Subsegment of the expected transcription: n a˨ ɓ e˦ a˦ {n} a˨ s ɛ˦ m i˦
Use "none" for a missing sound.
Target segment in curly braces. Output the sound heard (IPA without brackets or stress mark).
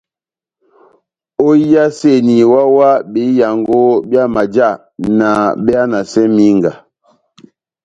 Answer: n